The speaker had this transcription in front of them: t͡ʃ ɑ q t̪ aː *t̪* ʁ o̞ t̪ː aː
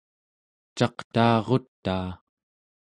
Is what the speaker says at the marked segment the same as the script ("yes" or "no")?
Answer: no